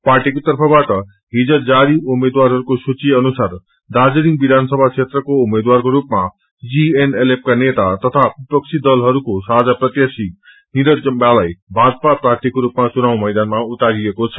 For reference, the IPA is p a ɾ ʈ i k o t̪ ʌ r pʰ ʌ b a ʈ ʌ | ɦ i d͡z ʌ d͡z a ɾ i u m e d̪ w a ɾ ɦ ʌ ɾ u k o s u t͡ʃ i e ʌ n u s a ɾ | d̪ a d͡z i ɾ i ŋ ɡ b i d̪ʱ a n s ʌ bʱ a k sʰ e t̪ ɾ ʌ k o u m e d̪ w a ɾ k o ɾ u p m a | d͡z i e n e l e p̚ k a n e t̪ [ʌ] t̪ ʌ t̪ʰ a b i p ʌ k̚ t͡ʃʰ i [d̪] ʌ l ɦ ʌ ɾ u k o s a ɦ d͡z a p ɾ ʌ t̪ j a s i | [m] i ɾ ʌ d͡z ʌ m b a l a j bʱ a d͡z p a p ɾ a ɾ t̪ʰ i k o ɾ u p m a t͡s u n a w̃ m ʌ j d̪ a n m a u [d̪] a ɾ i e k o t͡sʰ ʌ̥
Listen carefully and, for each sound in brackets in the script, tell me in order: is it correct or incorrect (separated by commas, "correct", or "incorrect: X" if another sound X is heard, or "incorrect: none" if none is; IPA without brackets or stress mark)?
incorrect: a, correct, incorrect: n, incorrect: t̪